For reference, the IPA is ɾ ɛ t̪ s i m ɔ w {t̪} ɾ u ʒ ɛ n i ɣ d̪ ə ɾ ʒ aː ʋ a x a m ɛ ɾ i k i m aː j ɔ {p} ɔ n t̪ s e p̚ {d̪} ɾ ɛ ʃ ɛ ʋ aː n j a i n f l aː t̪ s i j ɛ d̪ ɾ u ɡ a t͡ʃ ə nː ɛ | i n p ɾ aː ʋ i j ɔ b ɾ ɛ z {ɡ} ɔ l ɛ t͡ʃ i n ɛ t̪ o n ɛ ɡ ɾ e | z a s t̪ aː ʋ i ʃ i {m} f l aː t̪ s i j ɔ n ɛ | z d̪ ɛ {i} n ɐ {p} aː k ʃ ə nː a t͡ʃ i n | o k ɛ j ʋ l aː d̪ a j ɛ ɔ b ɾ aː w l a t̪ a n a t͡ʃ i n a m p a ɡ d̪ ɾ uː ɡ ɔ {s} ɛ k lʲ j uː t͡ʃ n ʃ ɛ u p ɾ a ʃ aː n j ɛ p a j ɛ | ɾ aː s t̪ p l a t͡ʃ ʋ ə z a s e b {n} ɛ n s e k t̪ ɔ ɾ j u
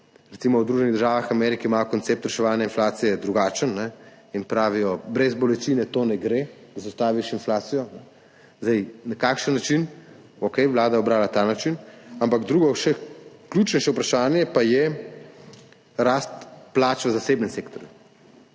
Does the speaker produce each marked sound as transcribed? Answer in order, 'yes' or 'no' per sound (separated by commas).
no, no, no, no, no, no, no, no, yes